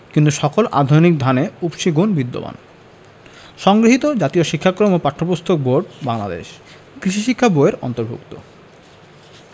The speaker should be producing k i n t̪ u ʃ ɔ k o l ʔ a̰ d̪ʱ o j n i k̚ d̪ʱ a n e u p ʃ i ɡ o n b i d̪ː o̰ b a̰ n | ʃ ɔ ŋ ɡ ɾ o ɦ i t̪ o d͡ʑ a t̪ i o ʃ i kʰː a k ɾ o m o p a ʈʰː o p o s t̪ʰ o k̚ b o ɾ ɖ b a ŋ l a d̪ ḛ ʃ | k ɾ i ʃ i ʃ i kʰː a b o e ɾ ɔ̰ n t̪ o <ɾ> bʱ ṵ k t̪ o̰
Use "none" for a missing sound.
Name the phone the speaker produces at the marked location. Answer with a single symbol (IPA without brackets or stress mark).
ɾ